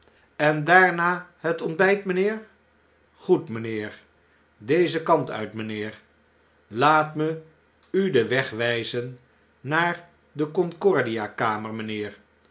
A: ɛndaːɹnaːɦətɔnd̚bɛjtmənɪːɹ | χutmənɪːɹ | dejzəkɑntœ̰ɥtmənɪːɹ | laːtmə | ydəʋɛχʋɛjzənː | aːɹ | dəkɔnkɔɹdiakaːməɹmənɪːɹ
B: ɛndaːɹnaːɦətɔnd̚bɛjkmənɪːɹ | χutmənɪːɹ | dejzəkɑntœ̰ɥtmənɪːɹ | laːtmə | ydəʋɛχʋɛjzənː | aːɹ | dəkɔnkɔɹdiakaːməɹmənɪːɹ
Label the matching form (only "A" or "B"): A